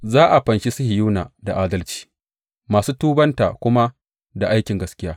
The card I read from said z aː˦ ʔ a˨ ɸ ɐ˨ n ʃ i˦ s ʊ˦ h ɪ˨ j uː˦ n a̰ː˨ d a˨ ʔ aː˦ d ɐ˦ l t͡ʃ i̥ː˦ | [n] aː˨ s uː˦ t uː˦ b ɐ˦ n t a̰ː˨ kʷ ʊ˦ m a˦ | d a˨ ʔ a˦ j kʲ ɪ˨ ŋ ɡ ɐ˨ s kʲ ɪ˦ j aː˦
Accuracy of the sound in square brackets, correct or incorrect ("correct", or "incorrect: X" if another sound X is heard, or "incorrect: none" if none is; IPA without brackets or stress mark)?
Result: incorrect: m